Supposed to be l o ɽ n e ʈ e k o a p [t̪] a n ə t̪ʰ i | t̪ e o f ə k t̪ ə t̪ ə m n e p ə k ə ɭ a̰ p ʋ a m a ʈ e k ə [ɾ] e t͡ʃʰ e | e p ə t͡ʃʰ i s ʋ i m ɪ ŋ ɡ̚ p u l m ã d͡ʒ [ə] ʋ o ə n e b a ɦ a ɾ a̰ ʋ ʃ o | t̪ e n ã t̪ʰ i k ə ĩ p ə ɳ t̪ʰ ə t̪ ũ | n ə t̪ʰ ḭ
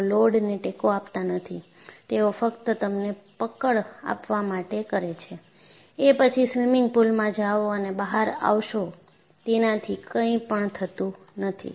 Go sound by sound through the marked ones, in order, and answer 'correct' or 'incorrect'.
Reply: correct, correct, incorrect: a

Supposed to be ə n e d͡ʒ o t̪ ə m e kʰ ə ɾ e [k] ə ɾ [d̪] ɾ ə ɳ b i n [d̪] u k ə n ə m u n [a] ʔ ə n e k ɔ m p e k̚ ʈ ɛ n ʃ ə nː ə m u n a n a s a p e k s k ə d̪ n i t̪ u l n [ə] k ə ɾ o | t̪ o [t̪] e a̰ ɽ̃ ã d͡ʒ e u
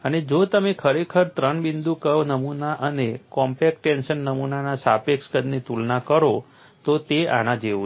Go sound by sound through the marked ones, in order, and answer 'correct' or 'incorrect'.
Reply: incorrect: kʰ, incorrect: t̪, correct, correct, incorrect: a, correct

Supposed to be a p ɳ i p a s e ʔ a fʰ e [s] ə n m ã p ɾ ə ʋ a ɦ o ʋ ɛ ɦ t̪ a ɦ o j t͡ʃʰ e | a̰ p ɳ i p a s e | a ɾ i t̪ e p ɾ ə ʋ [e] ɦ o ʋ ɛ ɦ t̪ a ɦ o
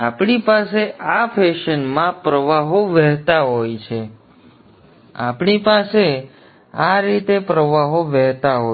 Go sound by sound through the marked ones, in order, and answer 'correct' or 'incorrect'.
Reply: incorrect: ʃ, incorrect: a

